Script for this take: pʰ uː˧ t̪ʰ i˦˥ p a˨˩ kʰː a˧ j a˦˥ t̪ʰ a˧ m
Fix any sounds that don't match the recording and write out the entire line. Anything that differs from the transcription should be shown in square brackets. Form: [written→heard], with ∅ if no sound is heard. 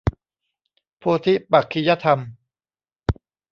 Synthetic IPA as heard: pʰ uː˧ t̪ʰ i˦˥ p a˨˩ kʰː [a˧→i˧] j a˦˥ t̪ʰ a˧ m